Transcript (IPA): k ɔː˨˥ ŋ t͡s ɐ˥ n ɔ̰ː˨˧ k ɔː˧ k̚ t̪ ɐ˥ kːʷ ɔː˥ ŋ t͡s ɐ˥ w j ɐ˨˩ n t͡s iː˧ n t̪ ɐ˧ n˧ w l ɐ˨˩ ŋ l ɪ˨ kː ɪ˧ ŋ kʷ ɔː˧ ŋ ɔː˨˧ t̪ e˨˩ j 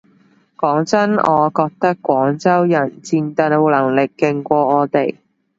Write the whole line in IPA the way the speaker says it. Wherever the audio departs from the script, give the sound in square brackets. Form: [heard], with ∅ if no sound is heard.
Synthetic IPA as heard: k ɔː˨˥ ŋ t͡s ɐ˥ n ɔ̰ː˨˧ k ɔː˧ k̚ t̪ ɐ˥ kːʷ [ɔː˨˥] ŋ t͡s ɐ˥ w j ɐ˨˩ n t͡s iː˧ n t̪ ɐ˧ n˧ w l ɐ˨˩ ŋ l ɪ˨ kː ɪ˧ ŋ kʷ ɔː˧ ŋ ɔː˨˧ t̪ e˨˩ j